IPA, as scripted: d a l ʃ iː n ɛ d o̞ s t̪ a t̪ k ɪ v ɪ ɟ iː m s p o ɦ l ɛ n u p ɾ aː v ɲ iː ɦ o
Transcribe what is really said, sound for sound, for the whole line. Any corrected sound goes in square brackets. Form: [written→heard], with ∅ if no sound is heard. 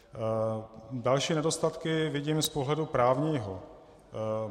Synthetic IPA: d a l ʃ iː n ɛ d o̞ s t̪ a t̪ k ɪ v ɪ ɟ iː m s p o ɦ l ɛ [n→d] u p ɾ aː v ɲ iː ɦ o